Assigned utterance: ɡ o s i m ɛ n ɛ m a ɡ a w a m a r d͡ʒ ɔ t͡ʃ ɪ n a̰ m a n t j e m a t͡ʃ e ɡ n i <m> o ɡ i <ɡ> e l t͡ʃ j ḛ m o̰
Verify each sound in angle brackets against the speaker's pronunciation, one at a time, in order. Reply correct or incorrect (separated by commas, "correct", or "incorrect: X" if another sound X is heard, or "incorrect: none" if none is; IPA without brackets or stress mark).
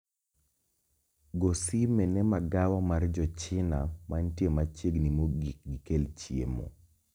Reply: correct, incorrect: k